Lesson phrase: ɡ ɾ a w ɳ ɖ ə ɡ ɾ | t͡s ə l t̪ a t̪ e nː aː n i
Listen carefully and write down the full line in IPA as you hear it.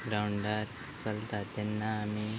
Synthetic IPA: ɡ ɾ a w ɳ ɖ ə ɾ | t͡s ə l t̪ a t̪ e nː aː m i